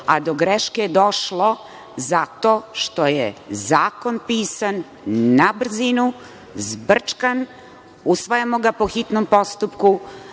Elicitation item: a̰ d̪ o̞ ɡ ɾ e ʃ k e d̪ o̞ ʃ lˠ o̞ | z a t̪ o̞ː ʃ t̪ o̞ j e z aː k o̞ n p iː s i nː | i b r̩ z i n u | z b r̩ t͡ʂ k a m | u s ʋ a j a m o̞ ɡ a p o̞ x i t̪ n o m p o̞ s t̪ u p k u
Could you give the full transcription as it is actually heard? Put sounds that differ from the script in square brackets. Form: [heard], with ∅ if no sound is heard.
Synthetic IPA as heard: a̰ d̪ o̞ ɡ ɾ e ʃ k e d̪ o̞ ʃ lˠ o̞ | z a t̪ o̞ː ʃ t̪ o̞ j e z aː k o̞ n p iː s [a] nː | [a] b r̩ z i n u | z b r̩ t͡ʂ k a [n] | u s ʋ a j a m o̞ ɡ a p o̞ x i t̪ n o m p o̞ s t̪ u p k u